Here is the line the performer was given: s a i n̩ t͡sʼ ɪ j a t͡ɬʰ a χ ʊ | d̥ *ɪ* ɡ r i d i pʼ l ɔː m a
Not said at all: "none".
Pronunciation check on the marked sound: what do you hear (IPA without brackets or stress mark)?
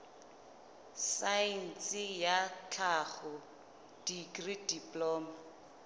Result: i